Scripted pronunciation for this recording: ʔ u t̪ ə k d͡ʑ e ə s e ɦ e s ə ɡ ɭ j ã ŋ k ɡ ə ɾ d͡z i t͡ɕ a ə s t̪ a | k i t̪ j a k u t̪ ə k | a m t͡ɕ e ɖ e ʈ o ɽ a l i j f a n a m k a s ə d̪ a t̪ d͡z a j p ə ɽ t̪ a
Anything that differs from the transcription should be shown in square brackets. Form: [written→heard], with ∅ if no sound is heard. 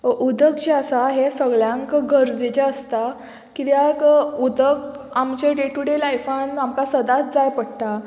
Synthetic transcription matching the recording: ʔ u [t̪→d̪] ə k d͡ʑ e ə s [e→a] ɦ e s ə ɡ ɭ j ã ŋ k ɡ ə ɾ d͡z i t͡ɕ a ə s t̪ a | k i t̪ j a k u [t̪→d̪] ə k | a m t͡ɕ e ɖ e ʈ [o→u] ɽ [a→e] l [i→a] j f a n a m k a s ə d̪ a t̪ d͡z a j p ə ɽ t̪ a